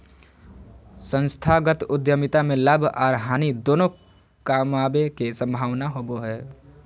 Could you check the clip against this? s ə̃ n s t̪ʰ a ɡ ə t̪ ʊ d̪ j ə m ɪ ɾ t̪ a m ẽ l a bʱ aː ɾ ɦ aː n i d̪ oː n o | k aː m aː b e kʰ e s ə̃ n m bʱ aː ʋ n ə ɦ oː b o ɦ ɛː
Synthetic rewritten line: s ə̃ n s t̪ʰ a ɡ ə t̪ ʊ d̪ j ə m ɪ t̪ a m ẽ l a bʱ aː ɾ ɦ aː n i d̪ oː n o | k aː m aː b e k e s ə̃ m bʱ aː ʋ n a ɦ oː b o ɦ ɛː